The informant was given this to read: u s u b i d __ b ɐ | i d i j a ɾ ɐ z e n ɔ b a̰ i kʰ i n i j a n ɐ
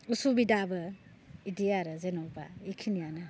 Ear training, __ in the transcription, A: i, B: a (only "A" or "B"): B